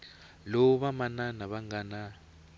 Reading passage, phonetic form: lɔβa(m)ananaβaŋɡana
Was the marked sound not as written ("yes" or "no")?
no